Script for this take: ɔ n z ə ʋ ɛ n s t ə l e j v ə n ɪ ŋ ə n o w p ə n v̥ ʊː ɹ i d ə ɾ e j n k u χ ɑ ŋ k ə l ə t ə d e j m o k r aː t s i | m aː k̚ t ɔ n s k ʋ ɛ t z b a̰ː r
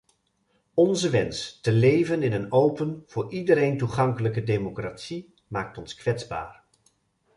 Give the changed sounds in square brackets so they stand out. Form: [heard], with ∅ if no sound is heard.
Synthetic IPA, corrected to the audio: ɔ n z ə ʋ ɛ n s t ə l e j v ə n ɪ [n] ə n o w p ə n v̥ ʊː ɹ i d ə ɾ e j n [t] u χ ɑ ŋ k ə l ə [k] ə d e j m o k r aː t s i | m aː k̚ t ɔ n s k ʋ ɛ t z b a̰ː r